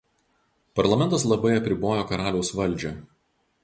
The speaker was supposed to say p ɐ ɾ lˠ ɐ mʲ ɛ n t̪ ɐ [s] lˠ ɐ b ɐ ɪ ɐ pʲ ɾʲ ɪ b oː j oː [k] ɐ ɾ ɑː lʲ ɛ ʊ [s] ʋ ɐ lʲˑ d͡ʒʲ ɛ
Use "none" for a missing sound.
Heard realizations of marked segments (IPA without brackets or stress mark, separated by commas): s, k, s